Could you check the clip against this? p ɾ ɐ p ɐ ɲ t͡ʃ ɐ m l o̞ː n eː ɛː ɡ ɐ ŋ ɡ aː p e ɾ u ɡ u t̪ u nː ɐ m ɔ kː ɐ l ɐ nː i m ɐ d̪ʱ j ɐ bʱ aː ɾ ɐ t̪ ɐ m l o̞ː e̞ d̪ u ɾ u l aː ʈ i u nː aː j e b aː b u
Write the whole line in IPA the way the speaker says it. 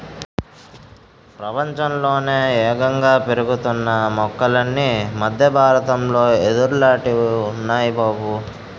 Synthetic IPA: p ɾ ɐ p ɐ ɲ t͡ʃ ɐ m l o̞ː n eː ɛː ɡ ɐ ŋ ɡ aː p e ɾ u ɡ u t̪ u nː ɐ m ɔ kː ɐ l ɐ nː i m ɐ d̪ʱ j ɐ bʱ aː ɾ ɐ t̪ ɐ m l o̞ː e̞ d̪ u ɾ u l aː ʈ i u nː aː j i b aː b u